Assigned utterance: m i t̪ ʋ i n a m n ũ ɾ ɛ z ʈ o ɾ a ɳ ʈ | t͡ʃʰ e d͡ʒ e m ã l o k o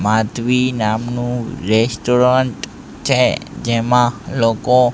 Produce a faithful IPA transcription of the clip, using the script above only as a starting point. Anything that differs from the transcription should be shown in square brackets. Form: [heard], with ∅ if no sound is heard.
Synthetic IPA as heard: m [a] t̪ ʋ i n a m n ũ ɾ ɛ [s] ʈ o ɾ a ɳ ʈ | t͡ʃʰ e d͡ʒ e m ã l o k o

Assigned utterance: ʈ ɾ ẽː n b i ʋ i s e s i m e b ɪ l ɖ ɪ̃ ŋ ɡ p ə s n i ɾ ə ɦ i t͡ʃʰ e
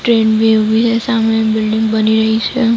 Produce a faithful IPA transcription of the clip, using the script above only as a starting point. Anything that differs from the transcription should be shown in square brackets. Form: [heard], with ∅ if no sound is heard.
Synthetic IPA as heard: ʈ ɾ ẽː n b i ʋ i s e s [a] m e b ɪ l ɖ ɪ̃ ŋ ɡ [b] ə [∅] n i ɾ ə ɦ i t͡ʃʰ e

